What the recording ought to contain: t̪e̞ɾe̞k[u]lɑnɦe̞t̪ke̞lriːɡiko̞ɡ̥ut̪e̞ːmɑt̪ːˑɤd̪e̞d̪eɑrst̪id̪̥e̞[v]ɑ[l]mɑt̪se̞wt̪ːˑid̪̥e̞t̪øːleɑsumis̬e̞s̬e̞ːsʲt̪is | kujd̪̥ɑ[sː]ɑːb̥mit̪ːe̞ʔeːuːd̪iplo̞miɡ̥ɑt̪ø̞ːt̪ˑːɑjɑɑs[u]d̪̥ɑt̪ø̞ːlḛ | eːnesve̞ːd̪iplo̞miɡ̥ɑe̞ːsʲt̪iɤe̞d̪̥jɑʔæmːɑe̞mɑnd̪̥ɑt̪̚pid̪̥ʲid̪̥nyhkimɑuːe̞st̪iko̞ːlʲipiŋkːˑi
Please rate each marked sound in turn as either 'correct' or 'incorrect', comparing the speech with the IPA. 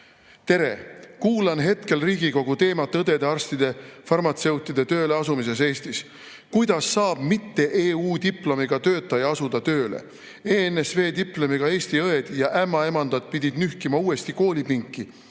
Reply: incorrect: uː, incorrect: f, incorrect: r, correct, correct

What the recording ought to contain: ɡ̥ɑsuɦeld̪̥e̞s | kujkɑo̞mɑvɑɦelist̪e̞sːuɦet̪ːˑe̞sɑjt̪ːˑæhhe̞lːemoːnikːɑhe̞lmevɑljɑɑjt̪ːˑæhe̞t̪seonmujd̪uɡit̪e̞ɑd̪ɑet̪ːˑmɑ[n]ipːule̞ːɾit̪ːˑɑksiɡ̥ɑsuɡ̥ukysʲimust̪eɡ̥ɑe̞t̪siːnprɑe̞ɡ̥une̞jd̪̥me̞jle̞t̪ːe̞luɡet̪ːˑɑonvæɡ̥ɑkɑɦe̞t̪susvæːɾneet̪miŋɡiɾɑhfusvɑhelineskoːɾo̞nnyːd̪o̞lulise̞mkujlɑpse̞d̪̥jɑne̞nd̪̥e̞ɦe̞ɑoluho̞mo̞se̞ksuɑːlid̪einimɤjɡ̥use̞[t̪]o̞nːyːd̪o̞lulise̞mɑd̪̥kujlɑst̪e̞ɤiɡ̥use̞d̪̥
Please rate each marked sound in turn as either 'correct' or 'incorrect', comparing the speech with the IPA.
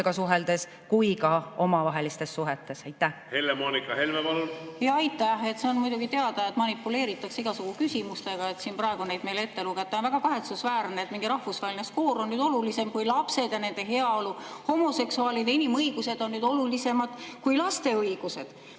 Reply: correct, incorrect: d̪

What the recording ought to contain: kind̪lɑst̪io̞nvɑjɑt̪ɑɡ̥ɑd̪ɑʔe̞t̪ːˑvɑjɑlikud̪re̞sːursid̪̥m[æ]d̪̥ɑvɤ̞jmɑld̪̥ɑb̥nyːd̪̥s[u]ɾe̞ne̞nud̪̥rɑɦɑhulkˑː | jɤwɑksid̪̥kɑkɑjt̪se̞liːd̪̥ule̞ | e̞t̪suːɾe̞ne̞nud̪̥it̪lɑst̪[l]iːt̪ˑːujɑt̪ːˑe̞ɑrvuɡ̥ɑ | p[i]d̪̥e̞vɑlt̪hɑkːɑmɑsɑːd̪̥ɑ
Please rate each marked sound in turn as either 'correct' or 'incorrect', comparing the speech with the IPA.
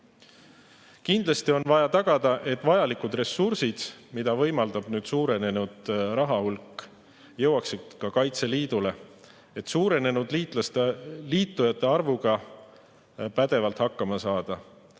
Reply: incorrect: i, incorrect: uː, correct, incorrect: æ

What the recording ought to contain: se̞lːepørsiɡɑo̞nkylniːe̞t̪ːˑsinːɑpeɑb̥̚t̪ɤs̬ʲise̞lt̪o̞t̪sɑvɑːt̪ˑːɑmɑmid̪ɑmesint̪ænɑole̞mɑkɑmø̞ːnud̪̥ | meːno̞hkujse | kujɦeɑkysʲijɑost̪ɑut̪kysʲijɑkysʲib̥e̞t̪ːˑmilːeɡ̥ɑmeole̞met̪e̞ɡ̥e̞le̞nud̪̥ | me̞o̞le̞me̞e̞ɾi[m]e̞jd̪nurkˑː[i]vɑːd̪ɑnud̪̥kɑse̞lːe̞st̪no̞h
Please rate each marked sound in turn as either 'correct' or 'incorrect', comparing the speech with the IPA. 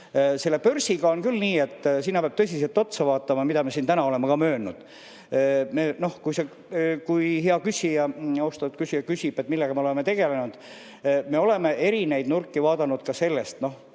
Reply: incorrect: n, correct

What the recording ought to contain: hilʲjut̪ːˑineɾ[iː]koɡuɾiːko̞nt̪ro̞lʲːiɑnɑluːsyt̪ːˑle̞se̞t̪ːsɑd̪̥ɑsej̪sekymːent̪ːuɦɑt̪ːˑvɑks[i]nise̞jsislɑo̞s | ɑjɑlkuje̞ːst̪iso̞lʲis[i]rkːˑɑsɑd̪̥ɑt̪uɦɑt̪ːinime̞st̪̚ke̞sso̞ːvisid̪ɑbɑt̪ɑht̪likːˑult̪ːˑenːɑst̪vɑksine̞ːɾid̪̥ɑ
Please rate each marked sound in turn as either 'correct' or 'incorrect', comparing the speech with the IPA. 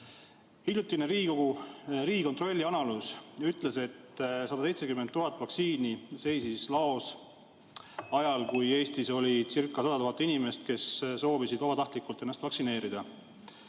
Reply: correct, incorrect: iː, correct

